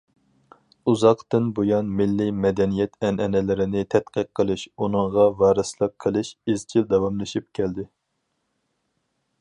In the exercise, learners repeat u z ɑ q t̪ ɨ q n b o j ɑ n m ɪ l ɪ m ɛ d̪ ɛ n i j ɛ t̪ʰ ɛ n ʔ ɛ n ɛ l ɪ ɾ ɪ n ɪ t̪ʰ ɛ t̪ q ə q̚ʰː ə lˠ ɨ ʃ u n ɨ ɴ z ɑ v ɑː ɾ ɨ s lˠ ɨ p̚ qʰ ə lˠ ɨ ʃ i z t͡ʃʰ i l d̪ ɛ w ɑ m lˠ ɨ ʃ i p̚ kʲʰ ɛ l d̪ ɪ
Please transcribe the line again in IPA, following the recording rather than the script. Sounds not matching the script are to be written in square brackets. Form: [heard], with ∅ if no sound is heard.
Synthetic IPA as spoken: u z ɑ q t̪ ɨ [∅] n b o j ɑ n m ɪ [lː] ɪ m ɛ d̪ ɛ n i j ɛ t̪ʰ ɛ n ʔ ɛ n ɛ l ɪ ɾ ɪ n ɪ t̪ʰ ɛ t̪ q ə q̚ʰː ə lˠ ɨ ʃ u n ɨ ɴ [ʁ] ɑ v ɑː ɾ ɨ s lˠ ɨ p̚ qʰ ə lˠ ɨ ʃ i z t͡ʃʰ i l d̪ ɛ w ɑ m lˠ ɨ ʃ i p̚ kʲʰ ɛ l d̪ ɪ